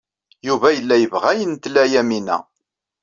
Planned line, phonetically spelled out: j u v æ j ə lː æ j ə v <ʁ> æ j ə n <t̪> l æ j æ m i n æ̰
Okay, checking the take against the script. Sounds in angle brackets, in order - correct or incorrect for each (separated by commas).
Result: correct, correct